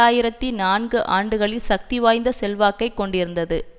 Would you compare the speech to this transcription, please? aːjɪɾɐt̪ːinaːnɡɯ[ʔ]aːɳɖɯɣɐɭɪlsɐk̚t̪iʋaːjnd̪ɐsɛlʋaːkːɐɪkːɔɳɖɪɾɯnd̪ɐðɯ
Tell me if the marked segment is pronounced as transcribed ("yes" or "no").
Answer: yes